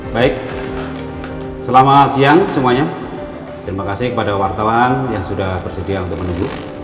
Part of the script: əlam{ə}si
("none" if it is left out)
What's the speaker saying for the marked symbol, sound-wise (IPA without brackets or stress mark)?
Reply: a